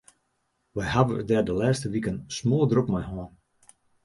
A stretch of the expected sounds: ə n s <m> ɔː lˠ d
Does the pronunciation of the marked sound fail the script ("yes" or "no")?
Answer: no